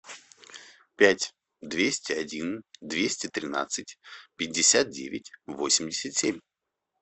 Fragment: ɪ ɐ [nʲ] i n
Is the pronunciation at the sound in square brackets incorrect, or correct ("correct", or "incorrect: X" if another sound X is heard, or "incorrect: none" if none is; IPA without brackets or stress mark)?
incorrect: dʲ